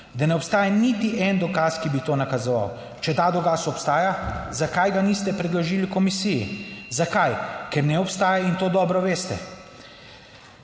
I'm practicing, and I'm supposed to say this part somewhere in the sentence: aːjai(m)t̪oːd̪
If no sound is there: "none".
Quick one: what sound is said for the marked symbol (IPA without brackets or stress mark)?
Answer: n